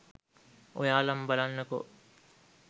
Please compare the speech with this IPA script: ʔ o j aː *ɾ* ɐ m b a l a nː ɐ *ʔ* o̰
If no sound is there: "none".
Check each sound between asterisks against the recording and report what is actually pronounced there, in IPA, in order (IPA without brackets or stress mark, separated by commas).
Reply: l, k